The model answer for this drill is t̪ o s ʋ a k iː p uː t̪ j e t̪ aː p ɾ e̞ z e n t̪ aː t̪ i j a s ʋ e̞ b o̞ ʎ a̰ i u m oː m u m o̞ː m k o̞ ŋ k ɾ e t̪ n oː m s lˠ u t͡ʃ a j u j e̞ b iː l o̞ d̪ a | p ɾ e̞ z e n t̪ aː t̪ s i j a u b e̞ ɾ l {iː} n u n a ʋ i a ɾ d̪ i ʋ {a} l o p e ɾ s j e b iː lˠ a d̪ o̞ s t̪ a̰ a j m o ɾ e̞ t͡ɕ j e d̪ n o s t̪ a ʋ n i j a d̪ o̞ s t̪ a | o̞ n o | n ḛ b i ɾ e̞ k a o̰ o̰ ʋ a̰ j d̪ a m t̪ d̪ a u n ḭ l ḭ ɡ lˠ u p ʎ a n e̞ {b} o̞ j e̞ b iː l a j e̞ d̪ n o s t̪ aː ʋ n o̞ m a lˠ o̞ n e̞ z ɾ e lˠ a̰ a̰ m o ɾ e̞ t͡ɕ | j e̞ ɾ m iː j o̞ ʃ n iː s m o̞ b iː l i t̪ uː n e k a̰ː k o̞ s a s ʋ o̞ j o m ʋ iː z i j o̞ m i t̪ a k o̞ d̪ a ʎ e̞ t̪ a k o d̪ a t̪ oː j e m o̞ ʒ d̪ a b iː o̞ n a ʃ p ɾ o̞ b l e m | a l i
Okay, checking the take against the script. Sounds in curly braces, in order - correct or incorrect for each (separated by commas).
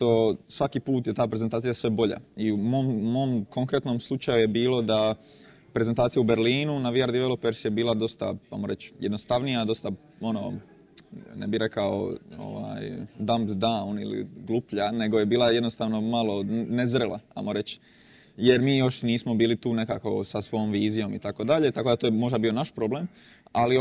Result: correct, incorrect, incorrect